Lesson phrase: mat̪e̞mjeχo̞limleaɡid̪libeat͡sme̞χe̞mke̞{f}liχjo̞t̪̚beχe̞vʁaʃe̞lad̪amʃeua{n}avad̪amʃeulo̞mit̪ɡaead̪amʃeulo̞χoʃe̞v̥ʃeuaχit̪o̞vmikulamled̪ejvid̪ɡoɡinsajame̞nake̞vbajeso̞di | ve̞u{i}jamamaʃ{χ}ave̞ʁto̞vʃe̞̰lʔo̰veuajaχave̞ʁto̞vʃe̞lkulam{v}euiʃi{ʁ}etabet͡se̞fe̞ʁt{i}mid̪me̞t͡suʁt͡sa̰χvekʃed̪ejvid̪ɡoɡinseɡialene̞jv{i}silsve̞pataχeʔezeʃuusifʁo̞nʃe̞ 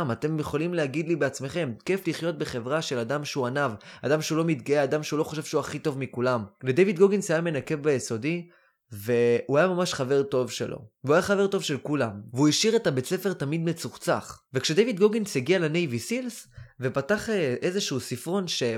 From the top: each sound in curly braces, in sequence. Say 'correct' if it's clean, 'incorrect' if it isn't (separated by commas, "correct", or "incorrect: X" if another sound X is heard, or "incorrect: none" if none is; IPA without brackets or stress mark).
correct, correct, incorrect: a, correct, correct, correct, incorrect: a, correct